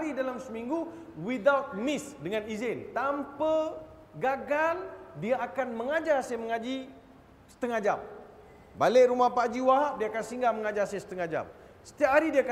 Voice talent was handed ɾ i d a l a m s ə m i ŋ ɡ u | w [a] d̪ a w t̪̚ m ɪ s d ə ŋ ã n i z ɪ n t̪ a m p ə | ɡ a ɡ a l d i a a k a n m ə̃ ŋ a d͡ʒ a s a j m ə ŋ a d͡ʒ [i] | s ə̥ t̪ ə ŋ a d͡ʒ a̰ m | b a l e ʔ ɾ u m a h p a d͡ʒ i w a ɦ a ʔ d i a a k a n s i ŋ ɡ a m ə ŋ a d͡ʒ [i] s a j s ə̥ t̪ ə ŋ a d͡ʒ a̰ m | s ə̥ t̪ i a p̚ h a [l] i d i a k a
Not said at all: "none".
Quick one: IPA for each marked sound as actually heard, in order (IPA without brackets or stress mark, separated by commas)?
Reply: i, i, a, ɾ